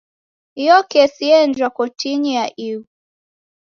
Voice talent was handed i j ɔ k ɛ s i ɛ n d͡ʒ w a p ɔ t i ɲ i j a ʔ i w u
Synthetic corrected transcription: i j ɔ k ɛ s i ɛ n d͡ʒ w a k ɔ t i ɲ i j a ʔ i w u